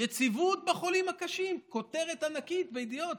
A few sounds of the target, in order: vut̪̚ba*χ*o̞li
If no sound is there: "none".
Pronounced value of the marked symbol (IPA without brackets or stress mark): χ